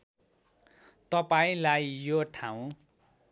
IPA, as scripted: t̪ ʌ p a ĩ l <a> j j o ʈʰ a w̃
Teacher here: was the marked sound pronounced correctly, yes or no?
yes